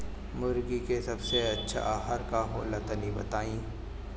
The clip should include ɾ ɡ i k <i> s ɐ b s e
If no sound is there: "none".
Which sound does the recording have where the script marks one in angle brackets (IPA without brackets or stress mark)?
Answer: e